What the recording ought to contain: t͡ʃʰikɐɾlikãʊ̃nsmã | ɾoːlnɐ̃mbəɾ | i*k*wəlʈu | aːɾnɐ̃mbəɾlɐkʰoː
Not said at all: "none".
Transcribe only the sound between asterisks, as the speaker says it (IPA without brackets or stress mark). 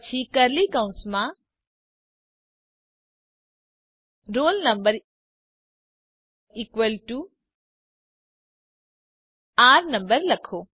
k